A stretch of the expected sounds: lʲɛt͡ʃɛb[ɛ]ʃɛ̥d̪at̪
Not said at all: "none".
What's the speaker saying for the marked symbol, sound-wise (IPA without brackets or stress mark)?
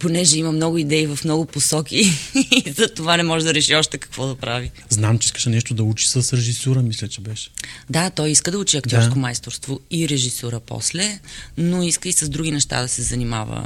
ɛ